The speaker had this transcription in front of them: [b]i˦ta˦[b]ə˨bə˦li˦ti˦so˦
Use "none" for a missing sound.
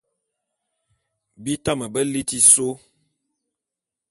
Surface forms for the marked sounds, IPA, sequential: b, m

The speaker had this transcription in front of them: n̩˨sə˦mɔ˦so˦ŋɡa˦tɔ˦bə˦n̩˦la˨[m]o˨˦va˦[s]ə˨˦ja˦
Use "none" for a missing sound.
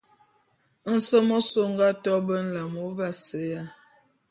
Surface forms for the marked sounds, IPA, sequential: m, s

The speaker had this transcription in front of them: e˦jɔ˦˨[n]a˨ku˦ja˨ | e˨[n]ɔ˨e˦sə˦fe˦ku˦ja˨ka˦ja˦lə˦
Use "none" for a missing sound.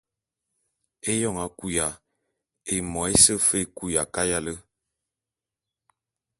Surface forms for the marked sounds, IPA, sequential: ŋ, m

